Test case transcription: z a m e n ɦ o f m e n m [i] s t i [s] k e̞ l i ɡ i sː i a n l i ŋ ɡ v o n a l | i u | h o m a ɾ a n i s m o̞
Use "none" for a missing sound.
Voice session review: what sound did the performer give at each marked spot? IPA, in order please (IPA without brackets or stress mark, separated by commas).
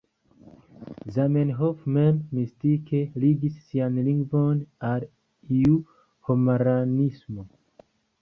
i, none